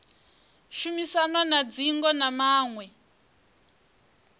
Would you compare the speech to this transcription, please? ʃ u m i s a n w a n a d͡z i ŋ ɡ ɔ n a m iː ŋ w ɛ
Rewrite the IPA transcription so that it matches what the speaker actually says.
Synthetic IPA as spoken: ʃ u m i s a n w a n a d͡z i ŋ ɡ ɔ n a m aː ŋ w ɛ